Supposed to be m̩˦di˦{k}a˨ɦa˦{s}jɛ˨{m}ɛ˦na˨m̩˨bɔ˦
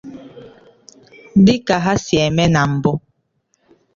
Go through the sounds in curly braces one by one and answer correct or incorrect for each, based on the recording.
correct, correct, correct

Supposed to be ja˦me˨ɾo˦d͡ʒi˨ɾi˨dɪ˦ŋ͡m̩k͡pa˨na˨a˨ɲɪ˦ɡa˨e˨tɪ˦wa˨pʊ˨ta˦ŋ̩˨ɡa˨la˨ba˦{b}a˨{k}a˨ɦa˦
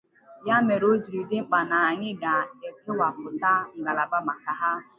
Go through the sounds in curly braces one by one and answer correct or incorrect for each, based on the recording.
incorrect: m, correct

